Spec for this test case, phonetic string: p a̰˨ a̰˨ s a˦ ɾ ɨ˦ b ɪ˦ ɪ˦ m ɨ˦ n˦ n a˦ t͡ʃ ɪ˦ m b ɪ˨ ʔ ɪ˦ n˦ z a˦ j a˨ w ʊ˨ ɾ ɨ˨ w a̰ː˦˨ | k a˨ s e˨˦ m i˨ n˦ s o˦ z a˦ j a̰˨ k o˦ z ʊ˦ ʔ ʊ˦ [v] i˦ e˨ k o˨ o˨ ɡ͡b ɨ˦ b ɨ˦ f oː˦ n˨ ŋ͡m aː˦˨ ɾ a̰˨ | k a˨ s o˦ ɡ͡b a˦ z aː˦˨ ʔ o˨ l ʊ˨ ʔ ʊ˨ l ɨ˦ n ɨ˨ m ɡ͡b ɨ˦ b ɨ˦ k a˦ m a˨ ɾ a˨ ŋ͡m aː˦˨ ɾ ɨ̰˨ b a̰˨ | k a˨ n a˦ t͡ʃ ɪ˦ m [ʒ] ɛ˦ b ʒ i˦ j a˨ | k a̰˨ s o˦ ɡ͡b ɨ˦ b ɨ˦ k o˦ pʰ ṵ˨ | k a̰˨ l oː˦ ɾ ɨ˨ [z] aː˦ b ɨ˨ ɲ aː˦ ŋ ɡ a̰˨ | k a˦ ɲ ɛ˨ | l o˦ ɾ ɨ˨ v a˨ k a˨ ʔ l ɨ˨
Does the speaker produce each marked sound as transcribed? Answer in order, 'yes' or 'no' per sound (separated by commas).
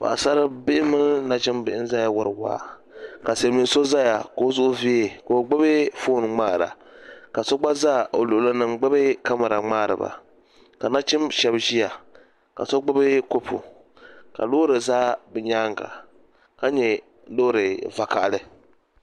yes, no, yes